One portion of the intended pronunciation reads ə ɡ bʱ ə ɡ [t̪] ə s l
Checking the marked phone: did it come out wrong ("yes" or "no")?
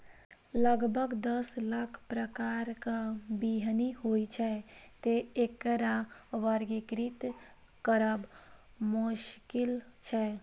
yes